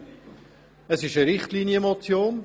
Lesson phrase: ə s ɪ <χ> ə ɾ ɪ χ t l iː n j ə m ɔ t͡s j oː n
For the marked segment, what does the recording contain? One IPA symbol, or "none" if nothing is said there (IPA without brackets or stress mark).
ʃ